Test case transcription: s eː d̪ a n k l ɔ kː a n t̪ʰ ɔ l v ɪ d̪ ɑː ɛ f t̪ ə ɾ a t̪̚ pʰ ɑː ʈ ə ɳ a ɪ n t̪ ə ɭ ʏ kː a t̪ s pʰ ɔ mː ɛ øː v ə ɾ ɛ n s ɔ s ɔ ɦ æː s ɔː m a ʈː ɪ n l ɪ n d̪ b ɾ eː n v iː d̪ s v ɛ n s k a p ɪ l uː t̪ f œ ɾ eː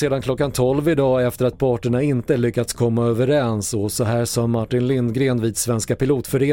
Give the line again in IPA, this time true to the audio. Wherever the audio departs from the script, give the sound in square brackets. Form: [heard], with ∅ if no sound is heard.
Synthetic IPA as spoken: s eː d̪ a n k l ɔ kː a n t̪ʰ ɔ l v ɪ d̪ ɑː ɛ f t̪ ə ɾ a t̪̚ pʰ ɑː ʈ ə ɳ a ɪ n t̪ ə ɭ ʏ kː a t̪ s [kʰ] ɔ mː [a] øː v ə ɾ ɛ n s ɔ s ɔ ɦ æː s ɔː m a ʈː ɪ n l ɪ n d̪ [ɡ] ɾ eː n v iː d̪ s v ɛ n s k a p ɪ l uː t̪ f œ ɾ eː